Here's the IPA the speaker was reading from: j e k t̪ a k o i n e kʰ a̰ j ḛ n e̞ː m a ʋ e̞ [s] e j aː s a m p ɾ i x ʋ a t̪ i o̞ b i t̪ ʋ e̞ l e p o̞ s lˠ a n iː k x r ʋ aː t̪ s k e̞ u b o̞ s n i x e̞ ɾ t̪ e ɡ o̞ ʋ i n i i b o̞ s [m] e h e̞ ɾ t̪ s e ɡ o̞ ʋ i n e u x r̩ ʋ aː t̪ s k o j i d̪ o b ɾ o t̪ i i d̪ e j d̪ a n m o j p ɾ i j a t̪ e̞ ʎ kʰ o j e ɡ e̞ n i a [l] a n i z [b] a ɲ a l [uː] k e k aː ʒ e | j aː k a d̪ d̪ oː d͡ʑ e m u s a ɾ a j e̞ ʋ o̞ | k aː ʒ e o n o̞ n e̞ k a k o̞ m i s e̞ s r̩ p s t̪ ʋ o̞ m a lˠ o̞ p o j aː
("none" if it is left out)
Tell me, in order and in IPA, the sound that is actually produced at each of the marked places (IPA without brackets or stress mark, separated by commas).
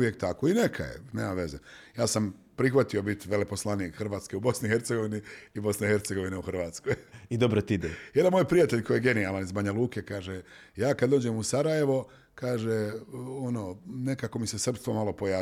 z, n, l, b, uː